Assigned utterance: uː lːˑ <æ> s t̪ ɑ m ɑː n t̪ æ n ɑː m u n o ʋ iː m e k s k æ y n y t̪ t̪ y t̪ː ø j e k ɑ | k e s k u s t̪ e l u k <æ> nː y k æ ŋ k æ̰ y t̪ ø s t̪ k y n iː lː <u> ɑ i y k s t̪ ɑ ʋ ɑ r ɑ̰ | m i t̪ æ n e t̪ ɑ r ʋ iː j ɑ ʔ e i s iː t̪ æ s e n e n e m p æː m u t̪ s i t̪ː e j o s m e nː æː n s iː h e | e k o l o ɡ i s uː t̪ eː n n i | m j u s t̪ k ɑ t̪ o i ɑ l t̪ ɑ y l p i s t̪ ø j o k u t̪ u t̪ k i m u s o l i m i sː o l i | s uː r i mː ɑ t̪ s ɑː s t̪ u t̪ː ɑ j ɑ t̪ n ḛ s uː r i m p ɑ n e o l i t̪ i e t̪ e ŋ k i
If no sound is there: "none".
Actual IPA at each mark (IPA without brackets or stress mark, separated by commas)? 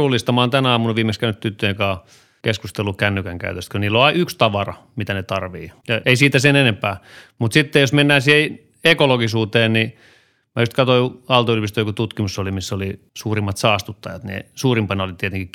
i, æ, o